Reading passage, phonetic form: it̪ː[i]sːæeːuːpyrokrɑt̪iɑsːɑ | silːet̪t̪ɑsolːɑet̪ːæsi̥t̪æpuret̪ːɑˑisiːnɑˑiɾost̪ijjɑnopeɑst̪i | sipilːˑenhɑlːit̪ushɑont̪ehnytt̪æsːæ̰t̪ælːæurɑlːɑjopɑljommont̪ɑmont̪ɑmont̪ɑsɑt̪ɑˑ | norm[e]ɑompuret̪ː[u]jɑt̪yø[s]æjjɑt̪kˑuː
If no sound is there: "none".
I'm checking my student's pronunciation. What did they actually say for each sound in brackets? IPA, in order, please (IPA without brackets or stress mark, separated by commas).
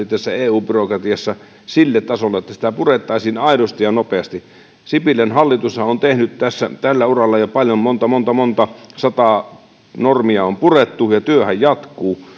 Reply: æ, i, u, h